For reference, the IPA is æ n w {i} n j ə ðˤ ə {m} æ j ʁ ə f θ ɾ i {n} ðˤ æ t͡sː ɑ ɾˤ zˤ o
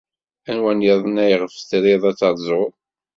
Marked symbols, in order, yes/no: no, no, no

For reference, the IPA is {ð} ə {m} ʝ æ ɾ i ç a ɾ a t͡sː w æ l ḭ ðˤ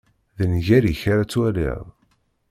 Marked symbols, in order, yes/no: yes, no

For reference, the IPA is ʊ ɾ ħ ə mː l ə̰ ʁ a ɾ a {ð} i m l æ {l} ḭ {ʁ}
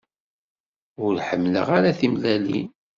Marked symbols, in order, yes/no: no, yes, no

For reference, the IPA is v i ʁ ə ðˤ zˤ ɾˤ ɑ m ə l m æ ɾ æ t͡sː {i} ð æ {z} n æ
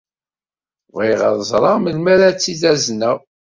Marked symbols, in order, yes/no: yes, yes

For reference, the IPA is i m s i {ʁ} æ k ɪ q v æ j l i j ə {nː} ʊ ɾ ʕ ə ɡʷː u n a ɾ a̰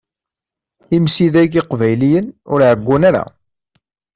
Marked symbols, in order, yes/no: no, no

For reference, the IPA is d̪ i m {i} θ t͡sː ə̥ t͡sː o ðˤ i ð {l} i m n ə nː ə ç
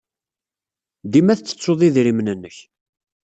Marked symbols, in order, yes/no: no, no

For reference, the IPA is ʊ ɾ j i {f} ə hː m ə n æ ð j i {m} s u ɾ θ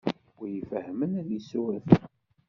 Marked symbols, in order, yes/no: yes, no

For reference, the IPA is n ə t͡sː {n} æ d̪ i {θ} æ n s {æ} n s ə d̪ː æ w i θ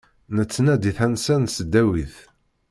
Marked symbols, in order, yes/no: yes, yes, yes

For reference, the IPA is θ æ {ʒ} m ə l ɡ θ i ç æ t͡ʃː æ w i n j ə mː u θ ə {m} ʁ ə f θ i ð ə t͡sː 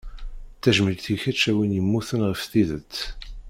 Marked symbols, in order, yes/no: yes, no

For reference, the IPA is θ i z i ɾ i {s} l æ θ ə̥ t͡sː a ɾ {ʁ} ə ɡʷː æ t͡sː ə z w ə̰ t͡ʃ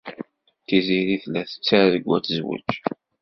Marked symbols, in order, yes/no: no, no

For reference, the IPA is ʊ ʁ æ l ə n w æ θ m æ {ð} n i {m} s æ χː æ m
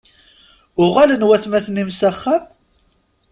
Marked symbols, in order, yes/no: no, yes

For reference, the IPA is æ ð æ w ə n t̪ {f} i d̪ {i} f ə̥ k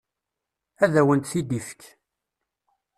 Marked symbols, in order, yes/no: no, yes

